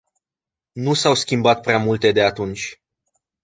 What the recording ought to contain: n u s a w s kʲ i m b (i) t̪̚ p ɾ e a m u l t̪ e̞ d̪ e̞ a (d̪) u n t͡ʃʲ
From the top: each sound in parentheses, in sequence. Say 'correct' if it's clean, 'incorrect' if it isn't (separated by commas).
incorrect, incorrect